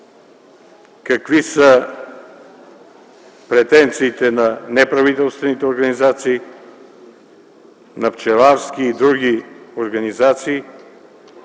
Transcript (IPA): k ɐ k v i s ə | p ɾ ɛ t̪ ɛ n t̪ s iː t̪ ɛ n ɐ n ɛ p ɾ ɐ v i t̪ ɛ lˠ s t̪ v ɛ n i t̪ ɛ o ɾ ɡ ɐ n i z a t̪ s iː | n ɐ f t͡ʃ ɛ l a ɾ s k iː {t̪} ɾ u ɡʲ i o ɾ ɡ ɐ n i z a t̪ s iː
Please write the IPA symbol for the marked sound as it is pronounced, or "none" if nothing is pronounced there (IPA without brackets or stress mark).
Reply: d̪